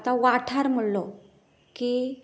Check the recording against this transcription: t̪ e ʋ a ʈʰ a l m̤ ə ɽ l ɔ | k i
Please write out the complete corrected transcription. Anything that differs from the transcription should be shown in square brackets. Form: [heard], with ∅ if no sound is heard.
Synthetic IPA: t̪ [a] ʋ a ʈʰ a [ɾ] m̤ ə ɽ l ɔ | k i